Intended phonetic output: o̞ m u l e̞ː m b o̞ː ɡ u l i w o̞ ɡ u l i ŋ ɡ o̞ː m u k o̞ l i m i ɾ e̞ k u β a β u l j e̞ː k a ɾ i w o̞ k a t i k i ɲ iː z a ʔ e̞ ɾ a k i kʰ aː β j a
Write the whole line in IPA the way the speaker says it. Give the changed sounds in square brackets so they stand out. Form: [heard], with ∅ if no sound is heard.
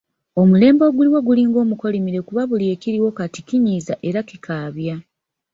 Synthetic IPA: o̞ m u l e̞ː m b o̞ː ɡ u l i w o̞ ɡ u l i ŋ ɡ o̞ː m u k o̞ l i m i ɾ e̞ k u β a β u l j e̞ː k [i] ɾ i w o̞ k a t i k i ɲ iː z a ʔ e̞ ɾ a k i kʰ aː β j a